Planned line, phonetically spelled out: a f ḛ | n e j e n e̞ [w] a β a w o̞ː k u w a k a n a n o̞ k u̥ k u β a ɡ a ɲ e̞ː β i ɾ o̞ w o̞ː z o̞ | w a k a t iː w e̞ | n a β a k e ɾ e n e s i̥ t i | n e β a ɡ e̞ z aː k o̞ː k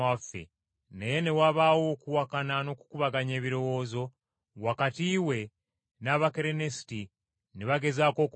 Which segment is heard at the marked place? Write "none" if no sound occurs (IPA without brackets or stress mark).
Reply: w